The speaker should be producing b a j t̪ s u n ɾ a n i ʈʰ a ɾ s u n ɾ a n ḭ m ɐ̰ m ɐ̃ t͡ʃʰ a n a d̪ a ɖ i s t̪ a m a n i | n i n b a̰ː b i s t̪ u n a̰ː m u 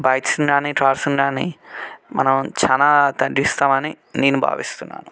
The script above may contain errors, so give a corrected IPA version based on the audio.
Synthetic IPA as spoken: b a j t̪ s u n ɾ a n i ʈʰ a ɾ s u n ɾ a n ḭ m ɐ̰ n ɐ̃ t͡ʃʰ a n a t̪ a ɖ i s t̪ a m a n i | n i n b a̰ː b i s t̪ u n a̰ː n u

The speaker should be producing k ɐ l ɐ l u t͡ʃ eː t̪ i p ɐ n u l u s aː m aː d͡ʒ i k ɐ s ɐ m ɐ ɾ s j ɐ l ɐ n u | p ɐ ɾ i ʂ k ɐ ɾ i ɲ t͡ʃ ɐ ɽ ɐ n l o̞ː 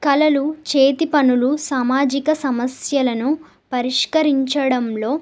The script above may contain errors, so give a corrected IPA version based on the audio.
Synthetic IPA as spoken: k ɐ l ɐ l u t͡ʃ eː t̪ i p ɐ n u l u s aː m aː d͡ʒ i k ɐ s ɐ m ɐ s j ɐ l ɐ n u | p ɐ ɾ i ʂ k ɐ ɾ i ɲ t͡ʃ ɐ ɽ ɐ m l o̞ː

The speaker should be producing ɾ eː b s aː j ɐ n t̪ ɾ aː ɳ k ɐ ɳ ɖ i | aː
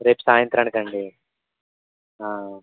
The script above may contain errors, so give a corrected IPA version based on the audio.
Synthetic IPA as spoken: ɾ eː p s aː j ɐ n t̪ ɾ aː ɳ k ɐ ɳ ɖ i | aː

